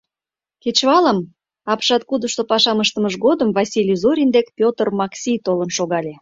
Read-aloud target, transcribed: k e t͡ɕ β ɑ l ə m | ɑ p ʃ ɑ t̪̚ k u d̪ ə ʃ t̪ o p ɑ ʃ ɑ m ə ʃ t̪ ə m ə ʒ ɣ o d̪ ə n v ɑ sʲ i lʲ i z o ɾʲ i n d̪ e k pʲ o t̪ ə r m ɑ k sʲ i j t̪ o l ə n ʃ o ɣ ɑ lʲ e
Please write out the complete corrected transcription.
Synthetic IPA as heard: k e t͡ɕ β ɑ l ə m | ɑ p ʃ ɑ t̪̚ k u d̪ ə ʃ t̪ o p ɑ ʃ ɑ m ə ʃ t̪ ə m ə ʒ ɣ o d̪ ə m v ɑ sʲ i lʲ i z o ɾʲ i n d̪ e k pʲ o t̪ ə r m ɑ k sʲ i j t̪ o l ə n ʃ o ɣ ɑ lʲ e